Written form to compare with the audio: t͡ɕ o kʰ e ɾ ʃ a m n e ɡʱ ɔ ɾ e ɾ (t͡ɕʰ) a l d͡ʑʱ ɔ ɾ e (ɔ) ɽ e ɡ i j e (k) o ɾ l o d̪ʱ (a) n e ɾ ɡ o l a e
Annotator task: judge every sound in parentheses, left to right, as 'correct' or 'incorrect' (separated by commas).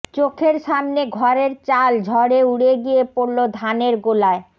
incorrect, incorrect, incorrect, correct